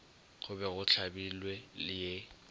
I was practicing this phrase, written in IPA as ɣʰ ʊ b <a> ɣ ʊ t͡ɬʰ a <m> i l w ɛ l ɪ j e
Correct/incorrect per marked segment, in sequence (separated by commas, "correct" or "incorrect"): incorrect, incorrect